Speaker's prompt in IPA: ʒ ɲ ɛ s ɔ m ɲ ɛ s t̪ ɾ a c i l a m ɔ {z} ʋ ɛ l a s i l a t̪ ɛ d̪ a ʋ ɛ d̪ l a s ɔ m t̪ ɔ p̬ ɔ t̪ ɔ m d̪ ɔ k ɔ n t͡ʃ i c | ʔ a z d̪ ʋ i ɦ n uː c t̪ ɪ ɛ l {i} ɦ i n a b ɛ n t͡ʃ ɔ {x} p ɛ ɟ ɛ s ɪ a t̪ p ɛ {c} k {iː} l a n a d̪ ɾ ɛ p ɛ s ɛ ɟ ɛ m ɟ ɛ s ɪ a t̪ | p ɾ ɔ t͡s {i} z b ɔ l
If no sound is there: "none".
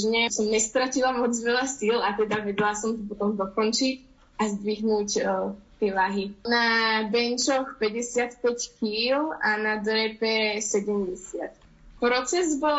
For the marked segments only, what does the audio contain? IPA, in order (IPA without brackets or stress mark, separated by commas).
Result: d͡z, a, x, c, iː, ɛ